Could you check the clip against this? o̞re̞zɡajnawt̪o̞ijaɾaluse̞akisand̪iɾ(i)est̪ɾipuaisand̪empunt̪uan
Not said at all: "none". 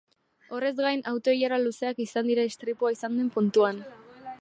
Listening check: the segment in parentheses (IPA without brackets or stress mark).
a